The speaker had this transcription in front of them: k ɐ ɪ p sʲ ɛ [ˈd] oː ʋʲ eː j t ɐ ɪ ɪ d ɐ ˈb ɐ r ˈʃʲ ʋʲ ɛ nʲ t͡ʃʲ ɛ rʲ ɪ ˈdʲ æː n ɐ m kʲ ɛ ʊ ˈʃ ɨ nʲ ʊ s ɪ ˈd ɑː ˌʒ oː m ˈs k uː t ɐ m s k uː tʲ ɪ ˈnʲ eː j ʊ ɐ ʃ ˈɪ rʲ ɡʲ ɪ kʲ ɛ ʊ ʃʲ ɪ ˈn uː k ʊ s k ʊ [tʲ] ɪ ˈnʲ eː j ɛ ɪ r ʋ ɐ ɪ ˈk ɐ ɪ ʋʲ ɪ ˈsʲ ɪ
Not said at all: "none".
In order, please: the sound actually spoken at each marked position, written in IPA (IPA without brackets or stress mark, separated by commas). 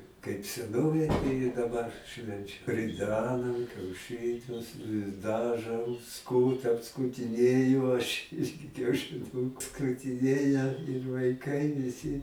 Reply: n, tʲ